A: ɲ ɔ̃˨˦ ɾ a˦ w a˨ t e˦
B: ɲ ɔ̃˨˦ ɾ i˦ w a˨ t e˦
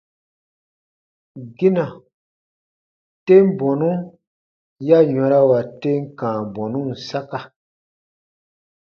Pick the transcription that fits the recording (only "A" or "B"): A